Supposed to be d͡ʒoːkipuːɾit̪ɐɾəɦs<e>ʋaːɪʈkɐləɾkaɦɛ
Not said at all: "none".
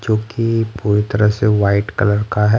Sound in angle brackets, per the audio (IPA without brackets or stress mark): e